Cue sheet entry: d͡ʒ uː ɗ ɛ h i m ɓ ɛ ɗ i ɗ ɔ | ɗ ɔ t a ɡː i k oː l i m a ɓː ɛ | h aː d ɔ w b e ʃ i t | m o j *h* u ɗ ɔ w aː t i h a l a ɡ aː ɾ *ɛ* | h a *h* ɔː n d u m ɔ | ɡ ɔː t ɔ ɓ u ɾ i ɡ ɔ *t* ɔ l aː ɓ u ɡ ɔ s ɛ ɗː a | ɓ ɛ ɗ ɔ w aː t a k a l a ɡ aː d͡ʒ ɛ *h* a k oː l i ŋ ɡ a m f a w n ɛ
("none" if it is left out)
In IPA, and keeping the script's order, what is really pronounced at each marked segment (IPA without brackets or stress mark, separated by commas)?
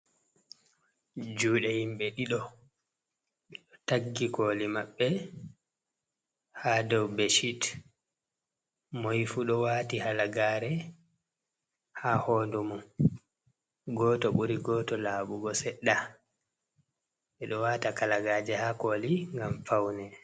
f, ɛ, h, t, h